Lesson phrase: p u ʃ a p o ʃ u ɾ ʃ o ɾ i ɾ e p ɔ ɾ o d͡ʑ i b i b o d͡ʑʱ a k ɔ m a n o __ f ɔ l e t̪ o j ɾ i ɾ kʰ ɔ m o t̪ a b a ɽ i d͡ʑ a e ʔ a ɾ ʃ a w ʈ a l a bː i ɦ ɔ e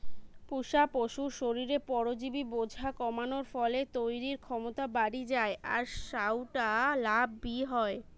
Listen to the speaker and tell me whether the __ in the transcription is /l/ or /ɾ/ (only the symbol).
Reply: ɾ